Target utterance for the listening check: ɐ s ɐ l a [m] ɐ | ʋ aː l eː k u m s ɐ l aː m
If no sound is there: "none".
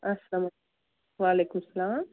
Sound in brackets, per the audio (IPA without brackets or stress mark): m